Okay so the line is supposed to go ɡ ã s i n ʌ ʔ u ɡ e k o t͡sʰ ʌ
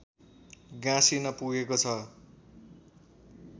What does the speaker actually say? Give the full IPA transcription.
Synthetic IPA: ɡ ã s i n ʌ p u ɡ e k o t͡sʰ ʌ